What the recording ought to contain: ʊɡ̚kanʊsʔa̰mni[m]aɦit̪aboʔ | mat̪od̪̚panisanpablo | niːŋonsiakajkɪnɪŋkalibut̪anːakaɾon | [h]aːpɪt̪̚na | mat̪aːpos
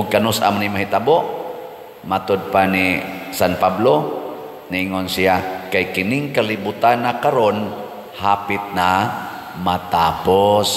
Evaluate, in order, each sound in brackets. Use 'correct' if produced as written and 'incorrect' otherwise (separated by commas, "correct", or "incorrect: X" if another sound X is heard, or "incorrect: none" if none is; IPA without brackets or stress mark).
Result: correct, correct